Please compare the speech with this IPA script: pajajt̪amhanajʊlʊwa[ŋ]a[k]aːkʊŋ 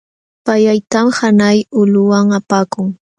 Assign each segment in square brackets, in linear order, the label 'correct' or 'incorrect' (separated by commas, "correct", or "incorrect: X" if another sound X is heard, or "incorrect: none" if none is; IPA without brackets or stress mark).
correct, incorrect: p